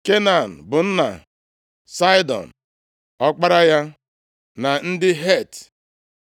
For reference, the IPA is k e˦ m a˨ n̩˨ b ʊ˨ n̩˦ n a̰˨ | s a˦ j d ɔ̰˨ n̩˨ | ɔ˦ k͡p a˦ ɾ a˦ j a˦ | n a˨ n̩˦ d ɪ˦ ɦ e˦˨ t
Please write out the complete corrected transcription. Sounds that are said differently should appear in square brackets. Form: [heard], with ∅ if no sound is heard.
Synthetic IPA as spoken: k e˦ [n] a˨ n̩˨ b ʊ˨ n̩˦ n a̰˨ | s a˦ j d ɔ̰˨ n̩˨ | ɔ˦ k͡p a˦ ɾ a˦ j a˦ | n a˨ n̩˦ d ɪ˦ ɦ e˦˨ t